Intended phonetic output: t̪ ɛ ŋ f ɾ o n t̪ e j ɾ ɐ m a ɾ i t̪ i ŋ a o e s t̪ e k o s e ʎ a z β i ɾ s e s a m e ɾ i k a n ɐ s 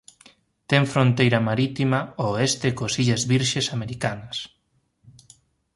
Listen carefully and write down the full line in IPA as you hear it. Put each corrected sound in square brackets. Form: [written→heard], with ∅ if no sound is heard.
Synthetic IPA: t̪ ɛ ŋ f ɾ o n t̪ e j ɾ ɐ m a ɾ i t̪ i [ŋ→m] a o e s t̪ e k o s [e→i] ʎ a z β i ɾ [s→ʃ] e s a m e ɾ i k a n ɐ s